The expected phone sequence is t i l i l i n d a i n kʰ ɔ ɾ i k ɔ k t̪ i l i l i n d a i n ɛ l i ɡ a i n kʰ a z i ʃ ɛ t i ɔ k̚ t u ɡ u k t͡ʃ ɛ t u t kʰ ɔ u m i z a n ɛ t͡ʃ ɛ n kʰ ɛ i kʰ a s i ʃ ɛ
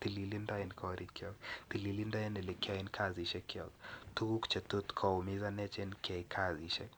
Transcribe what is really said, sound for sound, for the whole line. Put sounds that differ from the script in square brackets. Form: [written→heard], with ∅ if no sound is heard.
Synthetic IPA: t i l i l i n d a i n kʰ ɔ ɾ i k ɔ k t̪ i l i l i n d a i n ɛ l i [ɡ→k] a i n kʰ a z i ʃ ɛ [t→k] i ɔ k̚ t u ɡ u k t͡ʃ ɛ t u t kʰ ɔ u m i z a n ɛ t͡ʃ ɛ n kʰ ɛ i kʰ a [s→z] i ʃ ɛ